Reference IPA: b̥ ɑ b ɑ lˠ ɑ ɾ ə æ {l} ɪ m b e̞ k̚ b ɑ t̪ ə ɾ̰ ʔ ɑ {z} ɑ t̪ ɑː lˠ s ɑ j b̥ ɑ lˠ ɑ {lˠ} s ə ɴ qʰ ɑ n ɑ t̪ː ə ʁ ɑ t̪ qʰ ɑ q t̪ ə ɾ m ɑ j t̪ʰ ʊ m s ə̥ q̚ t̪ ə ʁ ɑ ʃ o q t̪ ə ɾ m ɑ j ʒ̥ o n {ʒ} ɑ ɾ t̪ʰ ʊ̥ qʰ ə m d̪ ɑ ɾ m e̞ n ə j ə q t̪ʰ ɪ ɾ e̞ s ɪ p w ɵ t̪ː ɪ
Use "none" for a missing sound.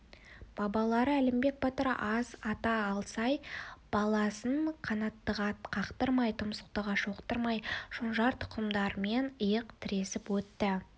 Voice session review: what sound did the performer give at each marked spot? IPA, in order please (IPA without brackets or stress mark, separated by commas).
l, z, none, ʒ